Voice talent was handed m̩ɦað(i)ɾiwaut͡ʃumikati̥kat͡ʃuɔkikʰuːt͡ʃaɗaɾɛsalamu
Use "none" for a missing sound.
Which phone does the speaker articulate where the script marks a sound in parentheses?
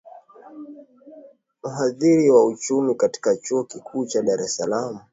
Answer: i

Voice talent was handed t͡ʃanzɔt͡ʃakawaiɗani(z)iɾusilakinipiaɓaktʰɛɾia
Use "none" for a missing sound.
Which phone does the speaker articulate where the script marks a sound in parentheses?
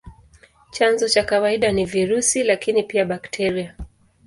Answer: v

